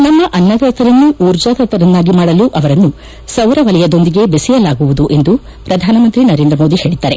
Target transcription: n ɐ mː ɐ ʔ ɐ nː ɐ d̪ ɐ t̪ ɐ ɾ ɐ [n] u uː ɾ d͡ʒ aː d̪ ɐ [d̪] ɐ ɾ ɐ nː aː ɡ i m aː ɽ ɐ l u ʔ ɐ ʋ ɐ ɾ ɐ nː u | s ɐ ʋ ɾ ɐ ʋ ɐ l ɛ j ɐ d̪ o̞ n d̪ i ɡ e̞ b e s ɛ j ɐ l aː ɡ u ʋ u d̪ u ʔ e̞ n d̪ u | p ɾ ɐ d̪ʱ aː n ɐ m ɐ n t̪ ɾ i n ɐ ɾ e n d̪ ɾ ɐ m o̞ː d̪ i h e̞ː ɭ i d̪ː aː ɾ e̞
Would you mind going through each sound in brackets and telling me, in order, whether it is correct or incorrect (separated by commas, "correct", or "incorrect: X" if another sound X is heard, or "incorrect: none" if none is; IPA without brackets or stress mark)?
incorrect: nː, incorrect: t̪